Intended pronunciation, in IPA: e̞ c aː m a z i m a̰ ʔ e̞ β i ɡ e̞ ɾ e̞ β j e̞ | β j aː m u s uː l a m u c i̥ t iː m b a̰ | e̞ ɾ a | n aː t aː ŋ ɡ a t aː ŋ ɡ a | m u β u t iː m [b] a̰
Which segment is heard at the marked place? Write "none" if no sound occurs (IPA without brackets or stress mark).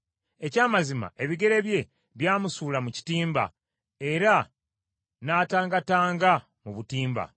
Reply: b